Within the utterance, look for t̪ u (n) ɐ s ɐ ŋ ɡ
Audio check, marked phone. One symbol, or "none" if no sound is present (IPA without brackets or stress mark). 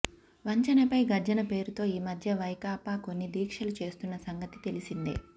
nː